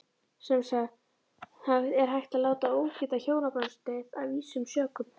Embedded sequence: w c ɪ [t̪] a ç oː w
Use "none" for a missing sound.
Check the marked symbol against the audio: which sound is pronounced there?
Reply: t̪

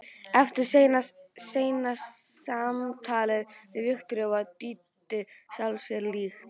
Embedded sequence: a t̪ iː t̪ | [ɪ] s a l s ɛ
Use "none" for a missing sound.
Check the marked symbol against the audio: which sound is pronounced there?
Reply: ɪ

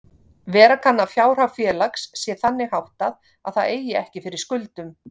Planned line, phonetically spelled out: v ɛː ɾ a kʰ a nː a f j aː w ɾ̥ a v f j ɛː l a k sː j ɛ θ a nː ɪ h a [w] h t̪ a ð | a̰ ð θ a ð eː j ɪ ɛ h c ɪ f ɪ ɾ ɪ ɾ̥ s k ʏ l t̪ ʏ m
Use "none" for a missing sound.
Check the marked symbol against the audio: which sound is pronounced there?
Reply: w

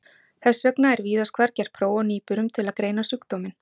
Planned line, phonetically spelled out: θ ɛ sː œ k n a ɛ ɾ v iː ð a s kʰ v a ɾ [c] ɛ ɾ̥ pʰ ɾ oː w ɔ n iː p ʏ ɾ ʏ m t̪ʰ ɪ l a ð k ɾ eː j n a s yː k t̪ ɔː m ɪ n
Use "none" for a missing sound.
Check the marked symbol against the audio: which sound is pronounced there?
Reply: c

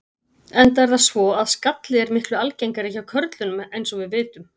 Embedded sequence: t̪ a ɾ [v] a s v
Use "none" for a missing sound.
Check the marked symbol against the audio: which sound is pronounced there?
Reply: ð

